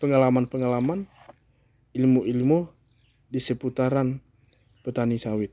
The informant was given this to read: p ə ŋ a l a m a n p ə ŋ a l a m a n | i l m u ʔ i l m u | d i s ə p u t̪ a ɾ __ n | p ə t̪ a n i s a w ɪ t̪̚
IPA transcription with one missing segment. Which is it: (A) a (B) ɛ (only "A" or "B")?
A